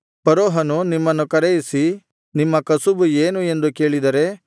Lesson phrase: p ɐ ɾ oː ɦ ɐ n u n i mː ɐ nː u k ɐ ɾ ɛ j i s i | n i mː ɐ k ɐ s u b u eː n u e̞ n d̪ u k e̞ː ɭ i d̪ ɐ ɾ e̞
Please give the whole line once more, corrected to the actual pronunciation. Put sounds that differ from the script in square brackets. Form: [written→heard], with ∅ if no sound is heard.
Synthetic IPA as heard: p ɐ ɾ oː ɦ ɐ n u n i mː ɐ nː u k ɐ ɾ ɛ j i s i | n i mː ɐ k ɐ s u b u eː n u e̞ n d̪ u k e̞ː ɭ i d̪ ɐ ɾ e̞